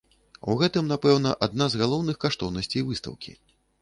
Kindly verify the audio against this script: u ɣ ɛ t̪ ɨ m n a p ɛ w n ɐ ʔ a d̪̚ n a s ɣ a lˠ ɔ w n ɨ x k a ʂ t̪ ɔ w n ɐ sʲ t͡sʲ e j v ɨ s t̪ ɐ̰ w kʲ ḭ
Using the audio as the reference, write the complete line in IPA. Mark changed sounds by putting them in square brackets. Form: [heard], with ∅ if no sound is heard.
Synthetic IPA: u ɣ ɛ t̪ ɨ m n a p ɛ w n ɐ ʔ a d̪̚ n a [z] ɣ a lˠ ɔ w n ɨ x k a ʂ t̪ ɔ w n ɐ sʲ t͡sʲ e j v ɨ s t̪ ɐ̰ w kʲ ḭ